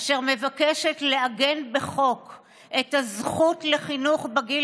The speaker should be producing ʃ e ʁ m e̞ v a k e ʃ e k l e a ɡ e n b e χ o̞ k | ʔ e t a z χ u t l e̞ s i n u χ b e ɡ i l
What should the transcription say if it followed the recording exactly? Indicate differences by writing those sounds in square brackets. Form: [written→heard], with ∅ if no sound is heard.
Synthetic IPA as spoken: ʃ e ʁ m e̞ v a k e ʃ e [k→t] l e a ɡ e n b e χ o̞ k | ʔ e t a z χ u t l e̞ [s→χ] i n u χ b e ɡ i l

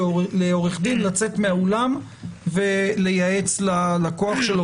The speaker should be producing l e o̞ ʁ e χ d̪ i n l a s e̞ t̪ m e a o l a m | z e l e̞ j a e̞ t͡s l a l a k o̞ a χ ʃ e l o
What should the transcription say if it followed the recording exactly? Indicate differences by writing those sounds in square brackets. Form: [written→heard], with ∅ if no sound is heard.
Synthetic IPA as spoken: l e o̞ ʁ e χ d̪ i n l a [s→t͡s] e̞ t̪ m e a o l a m | [z→v] e l e̞ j a e̞ t͡s l a l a k o̞ a χ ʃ e l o

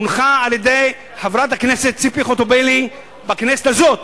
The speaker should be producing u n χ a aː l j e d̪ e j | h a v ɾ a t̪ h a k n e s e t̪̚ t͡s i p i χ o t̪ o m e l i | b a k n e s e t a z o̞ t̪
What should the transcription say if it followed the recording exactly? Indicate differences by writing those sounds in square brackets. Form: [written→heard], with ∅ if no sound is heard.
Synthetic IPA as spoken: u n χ a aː l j e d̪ e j | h a v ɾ a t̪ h a k n e s e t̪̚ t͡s i p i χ o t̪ o [m→b] e l i | b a k n e s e t a z o̞ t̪

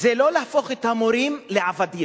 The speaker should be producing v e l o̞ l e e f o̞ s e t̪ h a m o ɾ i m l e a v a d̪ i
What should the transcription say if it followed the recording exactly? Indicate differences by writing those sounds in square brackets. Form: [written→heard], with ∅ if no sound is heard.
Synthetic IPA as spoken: [v→z] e l o̞ l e [e→a] f o̞ [s→χ] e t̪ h a m o ɾ i m l e a v a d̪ i

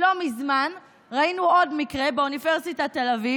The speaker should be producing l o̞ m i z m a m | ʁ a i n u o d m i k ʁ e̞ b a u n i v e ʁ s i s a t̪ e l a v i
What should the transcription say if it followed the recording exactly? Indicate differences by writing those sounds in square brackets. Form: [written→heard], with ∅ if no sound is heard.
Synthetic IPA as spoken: l o̞ m i z m a [m→n] | ʁ a i n u o d m i k ʁ e̞ b [a→e] u n i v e ʁ s i [s→t] a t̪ e l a v i

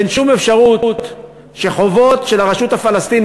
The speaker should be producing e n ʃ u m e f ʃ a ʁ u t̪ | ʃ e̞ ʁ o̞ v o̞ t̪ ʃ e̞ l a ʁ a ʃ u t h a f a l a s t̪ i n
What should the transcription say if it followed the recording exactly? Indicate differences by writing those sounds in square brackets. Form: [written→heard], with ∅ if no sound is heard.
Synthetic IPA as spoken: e n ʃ u m e f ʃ a ʁ u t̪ | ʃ e̞ [ʁ→χ] o̞ v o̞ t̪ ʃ e̞ l a ʁ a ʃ u t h a f a l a s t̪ i n

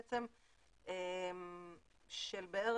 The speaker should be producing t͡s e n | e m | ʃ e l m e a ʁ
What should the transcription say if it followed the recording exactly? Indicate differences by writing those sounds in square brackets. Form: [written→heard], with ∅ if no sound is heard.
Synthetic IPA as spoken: t͡s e [n→m] | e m | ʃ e l [m→b] e [a→e] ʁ

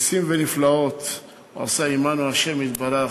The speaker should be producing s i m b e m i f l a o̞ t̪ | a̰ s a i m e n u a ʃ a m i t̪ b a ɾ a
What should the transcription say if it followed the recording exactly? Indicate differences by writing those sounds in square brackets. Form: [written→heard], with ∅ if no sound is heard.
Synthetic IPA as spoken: s i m [b→v] e [m→n] i f l a o̞ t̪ | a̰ s a i m [e→a] n u a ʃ [a→e] m i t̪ b a ɾ a

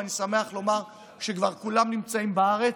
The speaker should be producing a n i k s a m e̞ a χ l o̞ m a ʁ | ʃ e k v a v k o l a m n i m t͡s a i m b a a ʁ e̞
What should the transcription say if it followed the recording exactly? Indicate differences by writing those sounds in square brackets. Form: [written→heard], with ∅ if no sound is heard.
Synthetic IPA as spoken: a n i [k→∅] s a m e̞ a χ l o̞ m a ʁ | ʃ e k v a [v→ʁ] k [o→u] l a m n i m t͡s a i m b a a ʁ e̞

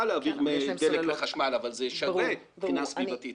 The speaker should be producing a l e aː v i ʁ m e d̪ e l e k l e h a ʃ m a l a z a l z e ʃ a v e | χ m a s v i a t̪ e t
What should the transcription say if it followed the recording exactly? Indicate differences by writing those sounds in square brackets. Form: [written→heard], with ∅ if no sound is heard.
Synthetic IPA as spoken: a l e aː v i ʁ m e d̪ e l e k l e [h→χ] a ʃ m a l a [z→v] a l z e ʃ a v e | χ [m→n] a s v i a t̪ [e→i] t

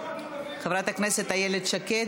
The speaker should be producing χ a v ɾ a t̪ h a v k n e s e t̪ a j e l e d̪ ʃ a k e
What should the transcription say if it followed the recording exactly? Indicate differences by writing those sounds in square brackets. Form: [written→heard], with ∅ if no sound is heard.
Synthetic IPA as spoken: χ [a→e] v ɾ a t̪ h a [v→∅] k n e s e t̪ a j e l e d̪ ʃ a k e

